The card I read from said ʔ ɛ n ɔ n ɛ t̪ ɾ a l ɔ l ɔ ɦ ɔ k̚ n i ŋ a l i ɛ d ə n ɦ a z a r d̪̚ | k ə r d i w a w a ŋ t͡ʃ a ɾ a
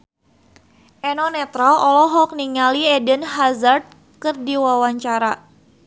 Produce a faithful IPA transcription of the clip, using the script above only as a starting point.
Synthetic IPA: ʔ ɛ n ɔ n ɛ t̪ ɾ a l ɔ l ɔ ɦ ɔ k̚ n i ŋ a l i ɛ d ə n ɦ a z a r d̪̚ | k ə r d i w a w a ɲ t͡ʃ a ɾ a